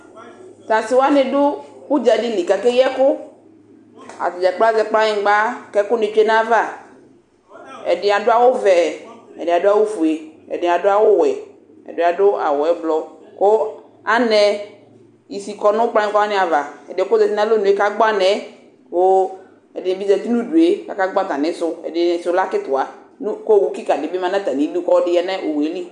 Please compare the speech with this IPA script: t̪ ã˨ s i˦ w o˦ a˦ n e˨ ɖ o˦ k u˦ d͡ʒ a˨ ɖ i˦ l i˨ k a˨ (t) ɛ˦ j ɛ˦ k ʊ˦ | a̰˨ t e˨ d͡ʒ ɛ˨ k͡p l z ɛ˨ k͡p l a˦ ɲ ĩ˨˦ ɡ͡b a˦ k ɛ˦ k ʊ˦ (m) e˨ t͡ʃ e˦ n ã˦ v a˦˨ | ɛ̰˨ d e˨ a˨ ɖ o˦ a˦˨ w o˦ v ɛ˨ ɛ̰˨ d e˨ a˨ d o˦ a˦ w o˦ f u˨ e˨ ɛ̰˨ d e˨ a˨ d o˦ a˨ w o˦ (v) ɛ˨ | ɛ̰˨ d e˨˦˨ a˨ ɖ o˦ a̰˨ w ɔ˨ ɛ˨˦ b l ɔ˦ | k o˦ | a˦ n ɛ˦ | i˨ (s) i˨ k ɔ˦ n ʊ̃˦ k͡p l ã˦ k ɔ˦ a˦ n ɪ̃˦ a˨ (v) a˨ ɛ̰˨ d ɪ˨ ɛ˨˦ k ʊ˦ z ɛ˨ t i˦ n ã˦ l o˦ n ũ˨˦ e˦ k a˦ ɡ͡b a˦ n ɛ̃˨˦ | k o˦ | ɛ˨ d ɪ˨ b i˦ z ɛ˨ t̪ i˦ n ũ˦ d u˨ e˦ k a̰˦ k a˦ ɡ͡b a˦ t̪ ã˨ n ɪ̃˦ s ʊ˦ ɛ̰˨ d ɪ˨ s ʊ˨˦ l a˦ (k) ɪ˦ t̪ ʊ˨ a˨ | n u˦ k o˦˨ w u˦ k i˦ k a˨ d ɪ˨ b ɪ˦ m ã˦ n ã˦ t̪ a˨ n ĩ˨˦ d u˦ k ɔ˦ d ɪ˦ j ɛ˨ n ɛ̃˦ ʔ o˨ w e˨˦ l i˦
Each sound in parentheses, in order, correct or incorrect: incorrect: k, incorrect: n, incorrect: w, correct, correct, correct

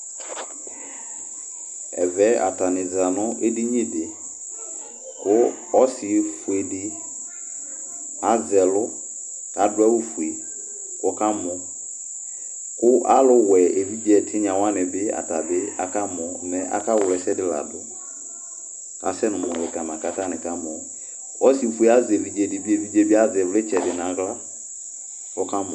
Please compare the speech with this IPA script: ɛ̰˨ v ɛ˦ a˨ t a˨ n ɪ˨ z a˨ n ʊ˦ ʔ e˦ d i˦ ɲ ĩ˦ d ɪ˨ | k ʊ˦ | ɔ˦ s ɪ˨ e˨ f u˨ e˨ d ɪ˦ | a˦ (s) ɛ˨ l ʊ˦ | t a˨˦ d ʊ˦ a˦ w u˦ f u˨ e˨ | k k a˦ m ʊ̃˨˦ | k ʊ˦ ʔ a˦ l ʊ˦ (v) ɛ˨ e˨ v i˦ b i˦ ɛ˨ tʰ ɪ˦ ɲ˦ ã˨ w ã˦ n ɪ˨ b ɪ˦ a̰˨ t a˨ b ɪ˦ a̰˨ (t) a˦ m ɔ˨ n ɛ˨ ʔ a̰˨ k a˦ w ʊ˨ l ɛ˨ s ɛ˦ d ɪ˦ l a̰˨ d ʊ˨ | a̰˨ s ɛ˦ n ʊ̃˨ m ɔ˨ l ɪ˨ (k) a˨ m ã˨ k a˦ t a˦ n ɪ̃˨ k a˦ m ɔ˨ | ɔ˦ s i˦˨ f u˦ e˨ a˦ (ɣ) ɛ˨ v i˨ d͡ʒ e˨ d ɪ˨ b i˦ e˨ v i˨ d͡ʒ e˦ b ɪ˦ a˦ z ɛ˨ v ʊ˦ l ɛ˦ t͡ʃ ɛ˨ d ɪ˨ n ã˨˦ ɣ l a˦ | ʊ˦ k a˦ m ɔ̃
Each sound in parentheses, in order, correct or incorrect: incorrect: z, incorrect: w, incorrect: k, correct, incorrect: z

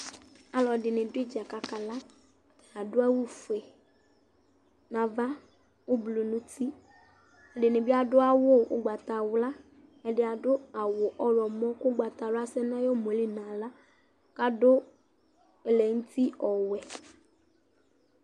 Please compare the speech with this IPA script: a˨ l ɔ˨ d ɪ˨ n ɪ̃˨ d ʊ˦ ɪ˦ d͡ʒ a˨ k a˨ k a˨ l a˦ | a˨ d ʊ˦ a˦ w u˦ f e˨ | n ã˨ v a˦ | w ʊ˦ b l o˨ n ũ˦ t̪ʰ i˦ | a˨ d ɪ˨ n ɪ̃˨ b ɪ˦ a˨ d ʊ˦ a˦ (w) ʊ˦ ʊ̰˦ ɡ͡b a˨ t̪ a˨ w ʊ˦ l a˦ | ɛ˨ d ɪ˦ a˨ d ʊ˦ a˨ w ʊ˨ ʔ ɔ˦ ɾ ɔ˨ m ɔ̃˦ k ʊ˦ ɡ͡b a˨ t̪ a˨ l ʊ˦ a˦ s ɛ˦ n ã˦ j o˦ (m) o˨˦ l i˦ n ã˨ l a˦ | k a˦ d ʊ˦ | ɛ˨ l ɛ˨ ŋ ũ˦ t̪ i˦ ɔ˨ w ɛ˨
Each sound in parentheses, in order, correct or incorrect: correct, correct

